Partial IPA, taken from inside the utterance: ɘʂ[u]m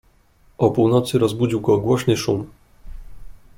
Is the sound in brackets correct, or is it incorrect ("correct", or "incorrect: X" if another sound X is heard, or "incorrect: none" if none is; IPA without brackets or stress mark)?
correct